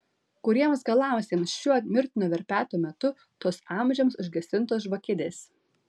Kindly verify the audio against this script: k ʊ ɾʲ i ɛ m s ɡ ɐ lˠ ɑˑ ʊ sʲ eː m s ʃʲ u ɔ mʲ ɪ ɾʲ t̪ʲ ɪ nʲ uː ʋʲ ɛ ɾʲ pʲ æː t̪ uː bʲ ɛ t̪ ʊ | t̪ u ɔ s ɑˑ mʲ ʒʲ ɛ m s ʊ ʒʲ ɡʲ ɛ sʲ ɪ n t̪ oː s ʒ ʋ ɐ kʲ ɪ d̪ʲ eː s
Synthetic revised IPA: k ʊ ɾʲ i ɛ m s ɡ ɐ lˠ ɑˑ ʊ sʲ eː m s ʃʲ u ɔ mʲ ɪ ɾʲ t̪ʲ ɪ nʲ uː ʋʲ ɛ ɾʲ pʲ æː t̪ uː mʲ ɛ t̪ ʊ | t̪ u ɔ s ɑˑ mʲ ʒʲ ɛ m s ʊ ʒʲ ɡʲ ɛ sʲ ɪ n t̪ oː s ʒ ʋ ɐ kʲ ɪ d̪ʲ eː s